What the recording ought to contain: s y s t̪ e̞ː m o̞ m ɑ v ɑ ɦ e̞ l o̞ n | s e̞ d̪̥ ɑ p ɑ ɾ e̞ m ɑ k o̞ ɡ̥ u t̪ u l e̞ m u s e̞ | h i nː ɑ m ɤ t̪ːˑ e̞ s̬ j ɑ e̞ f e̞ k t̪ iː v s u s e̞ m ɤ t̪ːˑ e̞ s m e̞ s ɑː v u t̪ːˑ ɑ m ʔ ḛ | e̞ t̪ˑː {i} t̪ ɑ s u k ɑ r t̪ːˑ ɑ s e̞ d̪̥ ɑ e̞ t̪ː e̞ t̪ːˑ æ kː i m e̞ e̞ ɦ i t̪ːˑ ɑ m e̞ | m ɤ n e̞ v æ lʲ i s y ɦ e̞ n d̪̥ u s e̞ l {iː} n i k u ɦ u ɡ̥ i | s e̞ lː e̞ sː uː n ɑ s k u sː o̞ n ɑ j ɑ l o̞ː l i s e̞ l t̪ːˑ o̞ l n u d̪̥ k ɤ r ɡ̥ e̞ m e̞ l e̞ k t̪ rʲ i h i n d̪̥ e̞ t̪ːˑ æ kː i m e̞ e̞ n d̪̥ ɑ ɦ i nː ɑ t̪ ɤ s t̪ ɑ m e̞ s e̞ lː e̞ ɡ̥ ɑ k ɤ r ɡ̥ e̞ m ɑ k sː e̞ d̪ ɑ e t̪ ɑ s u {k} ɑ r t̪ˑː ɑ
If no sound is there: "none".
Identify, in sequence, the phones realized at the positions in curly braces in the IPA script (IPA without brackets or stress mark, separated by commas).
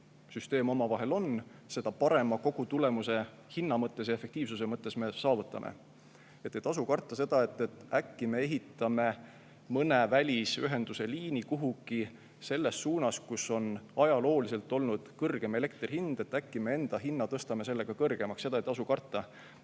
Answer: e, iː, k